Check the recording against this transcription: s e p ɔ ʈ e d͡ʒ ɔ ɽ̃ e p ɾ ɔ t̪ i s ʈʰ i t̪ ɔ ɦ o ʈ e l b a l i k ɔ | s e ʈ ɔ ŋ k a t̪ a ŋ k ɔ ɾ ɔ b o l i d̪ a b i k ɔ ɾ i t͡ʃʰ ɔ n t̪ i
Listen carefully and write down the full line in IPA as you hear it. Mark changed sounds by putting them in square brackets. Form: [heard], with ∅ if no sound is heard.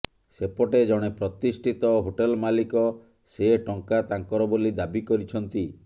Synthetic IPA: s e p ɔ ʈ e d͡ʒ ɔ ɽ̃ e p ɾ ɔ t̪ i s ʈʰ i t̪ ɔ ɦ o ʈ e l [m] a l i k ɔ | s e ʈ ɔ ŋ k a t̪ a ŋ k ɔ ɾ ɔ b o l i d̪ a b i k ɔ ɾ i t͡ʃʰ ɔ n t̪ i